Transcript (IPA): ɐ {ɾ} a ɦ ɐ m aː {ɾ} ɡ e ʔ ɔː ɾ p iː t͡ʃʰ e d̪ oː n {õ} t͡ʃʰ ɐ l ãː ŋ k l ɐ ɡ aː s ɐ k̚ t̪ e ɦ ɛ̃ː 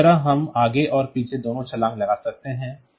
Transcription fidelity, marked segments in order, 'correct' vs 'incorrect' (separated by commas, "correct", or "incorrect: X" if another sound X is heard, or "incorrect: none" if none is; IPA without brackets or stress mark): correct, incorrect: none, correct